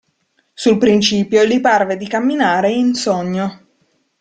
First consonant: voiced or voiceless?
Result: voiceless